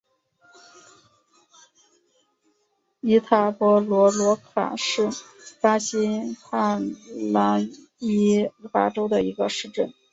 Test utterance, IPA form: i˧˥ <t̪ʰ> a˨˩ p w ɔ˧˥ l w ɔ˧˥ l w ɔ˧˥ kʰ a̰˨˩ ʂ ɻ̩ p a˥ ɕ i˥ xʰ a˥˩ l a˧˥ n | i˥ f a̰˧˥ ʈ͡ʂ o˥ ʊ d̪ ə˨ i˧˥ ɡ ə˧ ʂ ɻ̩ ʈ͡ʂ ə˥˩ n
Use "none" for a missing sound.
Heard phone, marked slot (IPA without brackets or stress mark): t̪ʰ